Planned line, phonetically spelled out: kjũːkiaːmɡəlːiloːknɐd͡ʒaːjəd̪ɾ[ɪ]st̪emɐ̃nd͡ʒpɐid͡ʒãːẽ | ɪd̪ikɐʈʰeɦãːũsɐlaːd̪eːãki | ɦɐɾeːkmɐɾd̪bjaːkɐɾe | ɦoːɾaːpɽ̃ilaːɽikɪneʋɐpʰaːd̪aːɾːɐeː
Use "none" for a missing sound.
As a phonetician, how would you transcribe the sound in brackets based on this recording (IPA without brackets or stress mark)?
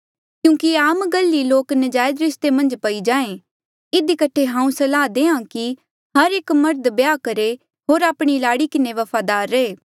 ɪ